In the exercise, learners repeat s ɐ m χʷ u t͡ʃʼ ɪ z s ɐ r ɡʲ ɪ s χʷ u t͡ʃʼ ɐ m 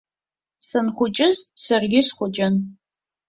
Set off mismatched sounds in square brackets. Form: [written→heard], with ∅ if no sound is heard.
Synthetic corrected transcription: s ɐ [m→n] χʷ [u→ʊ] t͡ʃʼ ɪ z s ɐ r ɡʲ ɪ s χʷ [u→ʊ] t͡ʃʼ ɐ [m→n]